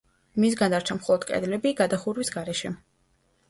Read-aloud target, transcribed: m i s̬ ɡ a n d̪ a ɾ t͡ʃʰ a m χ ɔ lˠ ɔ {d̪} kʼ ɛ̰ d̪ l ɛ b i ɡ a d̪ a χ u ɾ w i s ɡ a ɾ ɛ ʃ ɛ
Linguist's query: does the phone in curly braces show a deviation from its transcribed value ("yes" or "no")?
no